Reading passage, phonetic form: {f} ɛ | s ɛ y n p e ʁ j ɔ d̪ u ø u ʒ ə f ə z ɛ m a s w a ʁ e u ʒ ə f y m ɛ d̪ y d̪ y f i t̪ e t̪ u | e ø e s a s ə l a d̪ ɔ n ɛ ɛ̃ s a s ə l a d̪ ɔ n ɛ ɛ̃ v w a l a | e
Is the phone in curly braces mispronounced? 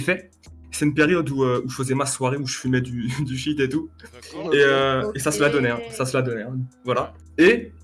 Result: no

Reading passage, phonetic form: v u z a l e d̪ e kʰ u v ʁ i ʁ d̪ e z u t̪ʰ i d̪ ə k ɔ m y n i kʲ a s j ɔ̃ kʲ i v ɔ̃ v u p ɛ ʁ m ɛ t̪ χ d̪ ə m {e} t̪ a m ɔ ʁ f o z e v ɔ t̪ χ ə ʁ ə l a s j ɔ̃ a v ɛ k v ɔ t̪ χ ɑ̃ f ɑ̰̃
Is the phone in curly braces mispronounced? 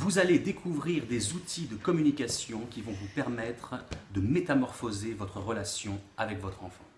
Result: no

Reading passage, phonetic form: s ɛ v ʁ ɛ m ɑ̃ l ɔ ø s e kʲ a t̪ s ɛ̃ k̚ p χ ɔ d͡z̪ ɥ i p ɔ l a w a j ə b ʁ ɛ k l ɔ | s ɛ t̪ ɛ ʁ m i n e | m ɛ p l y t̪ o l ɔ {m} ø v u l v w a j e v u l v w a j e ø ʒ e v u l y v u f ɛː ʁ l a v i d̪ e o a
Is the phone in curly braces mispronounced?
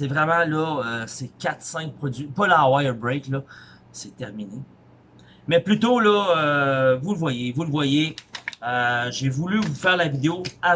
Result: yes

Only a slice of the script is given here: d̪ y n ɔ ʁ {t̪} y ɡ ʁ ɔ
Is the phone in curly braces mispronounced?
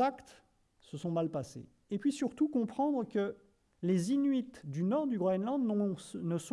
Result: yes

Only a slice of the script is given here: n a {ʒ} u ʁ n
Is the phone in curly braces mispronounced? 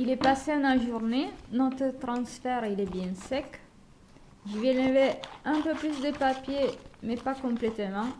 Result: no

